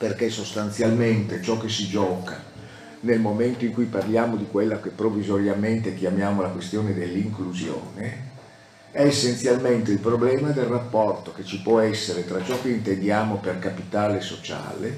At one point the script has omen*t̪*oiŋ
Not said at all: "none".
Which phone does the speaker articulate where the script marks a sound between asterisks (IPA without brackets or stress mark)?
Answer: t̪